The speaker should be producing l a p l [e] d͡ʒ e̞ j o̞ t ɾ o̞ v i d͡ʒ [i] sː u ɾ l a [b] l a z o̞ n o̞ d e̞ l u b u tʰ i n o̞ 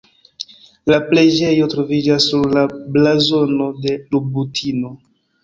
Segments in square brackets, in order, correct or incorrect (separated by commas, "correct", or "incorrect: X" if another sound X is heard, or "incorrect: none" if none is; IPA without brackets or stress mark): correct, incorrect: a, correct